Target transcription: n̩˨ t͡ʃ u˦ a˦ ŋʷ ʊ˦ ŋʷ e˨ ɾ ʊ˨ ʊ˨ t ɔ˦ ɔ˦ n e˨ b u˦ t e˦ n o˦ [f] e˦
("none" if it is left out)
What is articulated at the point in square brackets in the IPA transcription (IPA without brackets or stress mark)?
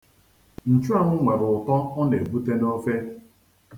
f